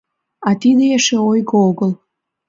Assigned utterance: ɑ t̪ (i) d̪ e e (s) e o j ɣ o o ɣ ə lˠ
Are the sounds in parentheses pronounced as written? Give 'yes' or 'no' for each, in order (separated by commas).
yes, no